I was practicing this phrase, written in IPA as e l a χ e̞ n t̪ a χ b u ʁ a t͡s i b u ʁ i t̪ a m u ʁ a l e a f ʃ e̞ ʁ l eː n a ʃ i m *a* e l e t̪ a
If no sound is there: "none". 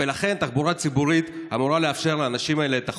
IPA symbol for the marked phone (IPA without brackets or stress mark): a